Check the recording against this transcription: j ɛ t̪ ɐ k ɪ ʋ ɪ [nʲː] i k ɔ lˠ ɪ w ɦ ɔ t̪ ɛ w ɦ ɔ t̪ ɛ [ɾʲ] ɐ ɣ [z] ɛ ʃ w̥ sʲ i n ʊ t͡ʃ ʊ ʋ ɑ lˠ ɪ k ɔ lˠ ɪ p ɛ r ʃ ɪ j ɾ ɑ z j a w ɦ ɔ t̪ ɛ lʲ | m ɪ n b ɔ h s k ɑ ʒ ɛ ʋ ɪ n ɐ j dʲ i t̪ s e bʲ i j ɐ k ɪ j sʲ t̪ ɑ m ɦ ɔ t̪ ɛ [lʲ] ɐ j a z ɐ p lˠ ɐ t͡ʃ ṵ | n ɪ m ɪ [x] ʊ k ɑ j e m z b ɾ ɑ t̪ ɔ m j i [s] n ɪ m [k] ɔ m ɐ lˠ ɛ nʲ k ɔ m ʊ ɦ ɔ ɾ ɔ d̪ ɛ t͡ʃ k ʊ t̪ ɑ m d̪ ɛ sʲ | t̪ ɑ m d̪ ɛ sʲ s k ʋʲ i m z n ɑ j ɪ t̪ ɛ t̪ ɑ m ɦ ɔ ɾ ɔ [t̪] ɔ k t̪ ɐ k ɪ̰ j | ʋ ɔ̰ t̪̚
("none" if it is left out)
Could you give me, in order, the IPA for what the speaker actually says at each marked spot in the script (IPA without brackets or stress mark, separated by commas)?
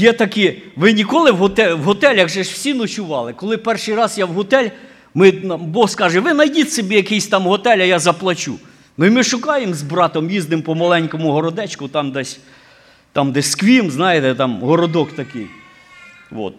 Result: nʲ, lʲ, ʒ, lʲ, ʃ, z, p, d̪